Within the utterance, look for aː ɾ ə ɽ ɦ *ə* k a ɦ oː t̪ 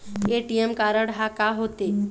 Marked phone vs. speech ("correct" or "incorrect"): incorrect